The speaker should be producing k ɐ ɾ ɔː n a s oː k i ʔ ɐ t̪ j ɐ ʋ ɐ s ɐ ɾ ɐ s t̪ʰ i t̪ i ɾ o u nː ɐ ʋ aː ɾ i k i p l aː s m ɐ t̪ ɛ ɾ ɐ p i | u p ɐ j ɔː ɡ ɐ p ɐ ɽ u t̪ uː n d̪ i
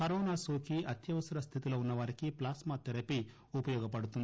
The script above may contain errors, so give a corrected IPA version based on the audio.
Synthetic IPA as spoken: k ɐ ɾ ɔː n a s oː k i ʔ ɐ t̪ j ɐ ʋ ɐ s ɐ ɾ ɐ s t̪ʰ i t̪ i l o u nː ɐ ʋ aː ɾ i k i p l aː s m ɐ t̪ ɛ ɾ ɐ p i | u p ɐ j ɔː ɡ ɐ p ɐ ɽ u t̪ u n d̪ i

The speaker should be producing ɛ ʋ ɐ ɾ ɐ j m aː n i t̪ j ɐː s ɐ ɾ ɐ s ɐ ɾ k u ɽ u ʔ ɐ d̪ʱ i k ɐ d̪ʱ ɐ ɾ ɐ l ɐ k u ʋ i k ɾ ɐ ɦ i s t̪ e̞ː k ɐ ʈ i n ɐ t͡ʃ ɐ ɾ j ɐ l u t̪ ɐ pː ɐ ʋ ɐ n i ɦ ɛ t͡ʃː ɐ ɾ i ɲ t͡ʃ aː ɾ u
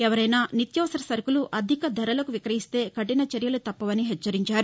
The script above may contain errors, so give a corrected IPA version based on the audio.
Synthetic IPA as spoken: ɛ ʋ ɐ ɾ ɐ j n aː n i t̪ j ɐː s ɐ ɾ ɐ s ɐ ɾ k u l u ʔ ɐ d̪ʱ i k ɐ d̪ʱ ɐ ɾ ɐ l ɐ k u ʋ i k ɾ ɐ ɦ i s t̪ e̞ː k ɐ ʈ i n ɐ t͡ʃ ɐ ɾ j ɐ l u t̪ ɐ pː ɐ ʋ ɐ n i ɦ ɛ t͡ʃː ɐ ɾ i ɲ t͡ʃ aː ɾ u

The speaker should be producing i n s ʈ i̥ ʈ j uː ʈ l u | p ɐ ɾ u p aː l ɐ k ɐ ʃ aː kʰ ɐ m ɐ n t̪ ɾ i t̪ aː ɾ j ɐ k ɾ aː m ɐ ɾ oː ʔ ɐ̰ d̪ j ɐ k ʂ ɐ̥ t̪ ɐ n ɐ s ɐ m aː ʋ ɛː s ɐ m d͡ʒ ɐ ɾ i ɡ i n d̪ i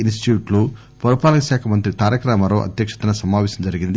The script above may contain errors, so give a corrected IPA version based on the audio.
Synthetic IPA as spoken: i n s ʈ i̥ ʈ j uː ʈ l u | p ɐ ɾ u p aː l ɐ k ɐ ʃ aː kʰ ɐ m ɐ n t̪ ɾ i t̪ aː ɾ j ɐ k ɾ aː m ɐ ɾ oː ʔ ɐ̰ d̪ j ɐ k ʂ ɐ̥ t̪ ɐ n ɐ s ɐ m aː ʋ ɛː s ɐ m d͡ʒ ɐ ɾ i ɡ i n d̪ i

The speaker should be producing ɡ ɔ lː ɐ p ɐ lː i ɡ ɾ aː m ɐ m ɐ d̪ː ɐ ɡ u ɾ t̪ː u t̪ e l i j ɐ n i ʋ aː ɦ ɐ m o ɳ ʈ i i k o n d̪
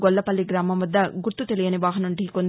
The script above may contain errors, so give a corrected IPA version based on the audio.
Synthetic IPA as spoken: ɡ ɔ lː ɐ p ɐ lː i ɡ ɾ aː m ɐ m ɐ d̪ː ɐ ɡ u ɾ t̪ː u t̪ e l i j ɐ n i ʋ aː ɦ ɐ n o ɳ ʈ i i k o n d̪

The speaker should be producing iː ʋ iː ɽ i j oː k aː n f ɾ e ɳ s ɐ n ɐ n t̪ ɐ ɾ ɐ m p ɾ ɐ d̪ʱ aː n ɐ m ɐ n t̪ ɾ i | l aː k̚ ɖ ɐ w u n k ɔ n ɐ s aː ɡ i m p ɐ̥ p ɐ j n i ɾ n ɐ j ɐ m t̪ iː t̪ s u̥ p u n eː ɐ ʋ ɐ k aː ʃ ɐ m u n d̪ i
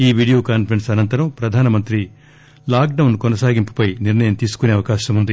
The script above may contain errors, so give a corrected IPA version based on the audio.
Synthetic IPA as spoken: iː ʋ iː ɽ i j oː k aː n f ɾ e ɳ s ɐ n ɐ n t̪ ɐ ɾ ɐ m p ɾ ɐ d̪ʱ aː n ɐ m ɐ n t̪ ɾ i | l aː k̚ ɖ ɐ w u n k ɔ n ɐ s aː ɡ i m p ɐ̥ p ɐ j n i ɾ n ɐ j ɐ m t̪ iː s u̥ k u n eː ɐ ʋ ɐ k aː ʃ ɐ m u n d̪ i

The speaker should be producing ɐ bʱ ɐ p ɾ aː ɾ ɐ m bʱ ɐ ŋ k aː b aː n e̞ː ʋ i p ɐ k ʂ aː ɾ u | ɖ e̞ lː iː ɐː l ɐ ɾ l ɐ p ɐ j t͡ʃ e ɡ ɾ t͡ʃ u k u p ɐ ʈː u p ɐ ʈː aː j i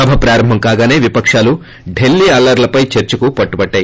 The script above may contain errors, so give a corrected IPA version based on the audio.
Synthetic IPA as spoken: ɐ bʱ ɐ p ɾ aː ɾ ɐ m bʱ ɐ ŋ k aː ɡ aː n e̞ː ʋ i p ɐ k ʂ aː l u | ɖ e̞ lː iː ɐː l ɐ ɾ l ɐ p ɐ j t͡ʃ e ɾ t͡ʃ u k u p ɐ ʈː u b ɐ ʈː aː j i

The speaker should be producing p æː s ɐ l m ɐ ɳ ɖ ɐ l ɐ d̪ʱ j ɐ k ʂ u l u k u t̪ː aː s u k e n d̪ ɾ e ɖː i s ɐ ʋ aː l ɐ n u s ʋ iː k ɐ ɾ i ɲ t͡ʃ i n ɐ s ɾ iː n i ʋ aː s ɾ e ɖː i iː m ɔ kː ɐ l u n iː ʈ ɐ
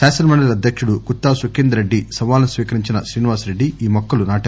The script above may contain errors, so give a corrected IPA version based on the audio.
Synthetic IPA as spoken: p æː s ɐ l m ɐ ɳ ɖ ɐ l ɐ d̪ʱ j ɐ k ʂ u ɽ u k u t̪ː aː s u k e n d̪ ɾ e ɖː i s ɐ ʋ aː l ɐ n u s ʋ iː k ɐ ɾ i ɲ t͡ʃ i n ɐ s ɾ iː n i ʋ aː s ɾ e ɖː i iː m ɔ kː ɐ l u n aː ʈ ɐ

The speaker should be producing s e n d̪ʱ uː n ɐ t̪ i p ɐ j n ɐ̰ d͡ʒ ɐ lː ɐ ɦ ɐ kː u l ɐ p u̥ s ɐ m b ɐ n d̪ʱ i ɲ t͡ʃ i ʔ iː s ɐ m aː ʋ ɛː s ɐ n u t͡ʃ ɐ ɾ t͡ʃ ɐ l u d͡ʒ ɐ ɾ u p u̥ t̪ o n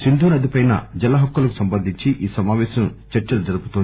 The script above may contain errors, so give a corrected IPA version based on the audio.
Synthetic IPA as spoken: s i n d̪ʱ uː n ɐ d̪ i p ɐ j n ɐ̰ d͡ʒ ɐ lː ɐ ɦ ɐ kː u l ɐ k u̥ s ɐ m b ɐ n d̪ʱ i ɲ t͡ʃ i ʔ iː s ɐ m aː ʋ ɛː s ɐ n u t͡ʃ ɐ ɾ t͡ʃ ɐ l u d͡ʒ ɐ ɾ u p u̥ t̪ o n

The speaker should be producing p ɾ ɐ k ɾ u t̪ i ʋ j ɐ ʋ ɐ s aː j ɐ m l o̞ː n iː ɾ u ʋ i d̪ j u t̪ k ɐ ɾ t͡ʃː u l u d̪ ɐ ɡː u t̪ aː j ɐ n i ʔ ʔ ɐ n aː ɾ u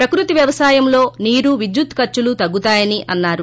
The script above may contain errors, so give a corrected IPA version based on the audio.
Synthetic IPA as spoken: p ɾ ɐ k ɾ u t̪ i ʋ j ɐ ʋ ɐ s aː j ɐ m l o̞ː n iː ɾ u ʋ i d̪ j u t̪ k ɐ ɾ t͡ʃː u l u t̪ ɐ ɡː u t̪ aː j ɐ n i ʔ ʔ ɐ nː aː ɾ u

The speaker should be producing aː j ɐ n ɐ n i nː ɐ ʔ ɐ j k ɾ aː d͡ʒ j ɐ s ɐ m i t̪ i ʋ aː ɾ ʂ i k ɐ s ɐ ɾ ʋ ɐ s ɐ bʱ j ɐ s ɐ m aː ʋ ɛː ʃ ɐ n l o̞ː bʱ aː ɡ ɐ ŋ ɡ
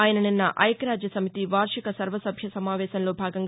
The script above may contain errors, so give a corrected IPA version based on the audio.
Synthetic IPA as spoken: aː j ɐ n ɐ n i nː ɐ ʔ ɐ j k ɾ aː d͡ʒ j ɐ s ɐ m i t̪ i ʋ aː ɾ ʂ i k ɐ s ɐ ɾ ʋ ɐ s ɐ bʱ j ɐ s ɐ m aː ʋ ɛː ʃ ɐ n l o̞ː bʱ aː ɡ ɐ ŋ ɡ

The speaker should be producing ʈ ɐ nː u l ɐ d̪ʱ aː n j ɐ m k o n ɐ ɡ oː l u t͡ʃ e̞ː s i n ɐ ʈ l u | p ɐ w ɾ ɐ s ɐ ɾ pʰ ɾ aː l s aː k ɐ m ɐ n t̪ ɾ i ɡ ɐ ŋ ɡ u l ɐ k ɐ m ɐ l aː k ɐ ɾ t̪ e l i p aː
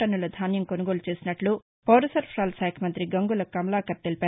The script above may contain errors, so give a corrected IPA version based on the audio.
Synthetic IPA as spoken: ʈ ɐ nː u l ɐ d̪ʱ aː n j ɐ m k o n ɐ ɡ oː l u t͡ʃ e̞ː s i n ɐ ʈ l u | p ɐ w ɾ ɐ s ɐ ɾ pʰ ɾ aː l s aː kʰ ɐ m ɐ n t̪ ɾ i ɡ ɐ ŋ ɡ u l ɐ k ɐ m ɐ l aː k ɐ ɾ t̪ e l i p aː

